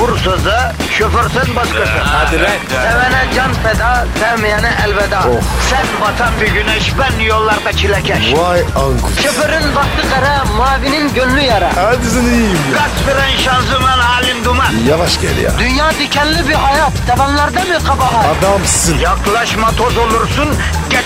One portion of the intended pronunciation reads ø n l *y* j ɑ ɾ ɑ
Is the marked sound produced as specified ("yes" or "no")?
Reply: yes